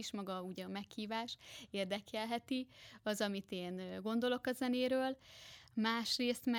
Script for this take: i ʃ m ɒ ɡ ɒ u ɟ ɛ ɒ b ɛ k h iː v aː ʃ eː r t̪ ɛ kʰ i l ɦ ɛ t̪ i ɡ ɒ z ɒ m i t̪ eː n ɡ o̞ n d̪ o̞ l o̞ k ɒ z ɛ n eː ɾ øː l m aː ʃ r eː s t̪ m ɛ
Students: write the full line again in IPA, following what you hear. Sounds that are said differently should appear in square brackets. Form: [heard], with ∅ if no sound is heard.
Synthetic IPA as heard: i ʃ m ɒ ɡ ɒ u ɟ ɛ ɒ [m] ɛ k h iː v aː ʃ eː r [d̪] ɛ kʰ [ɛ] l ɦ ɛ t̪ i [∅] ɒ z ɒ m i t̪ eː n ɡ o̞ n d̪ o̞ l o̞ k ɒ z ɛ n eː ɾ øː l m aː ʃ r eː s t̪ m ɛ